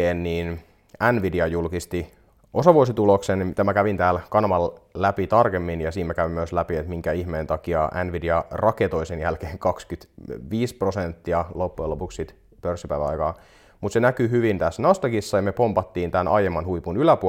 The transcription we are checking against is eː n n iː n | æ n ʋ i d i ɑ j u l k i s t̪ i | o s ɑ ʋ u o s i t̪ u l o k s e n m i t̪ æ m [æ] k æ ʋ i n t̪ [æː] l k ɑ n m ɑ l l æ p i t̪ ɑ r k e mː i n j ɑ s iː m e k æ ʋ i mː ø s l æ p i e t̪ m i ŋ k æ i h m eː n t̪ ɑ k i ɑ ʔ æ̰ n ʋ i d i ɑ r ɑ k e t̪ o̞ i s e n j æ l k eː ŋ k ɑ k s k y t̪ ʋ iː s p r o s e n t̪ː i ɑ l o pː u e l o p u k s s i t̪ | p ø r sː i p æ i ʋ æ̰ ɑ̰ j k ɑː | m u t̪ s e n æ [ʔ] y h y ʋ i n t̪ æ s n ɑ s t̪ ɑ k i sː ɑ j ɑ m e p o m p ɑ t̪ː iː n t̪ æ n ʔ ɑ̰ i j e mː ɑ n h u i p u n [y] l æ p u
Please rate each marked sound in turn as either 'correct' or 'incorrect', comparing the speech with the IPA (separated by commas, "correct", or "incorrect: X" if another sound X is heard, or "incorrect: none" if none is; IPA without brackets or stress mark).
correct, correct, incorrect: k, correct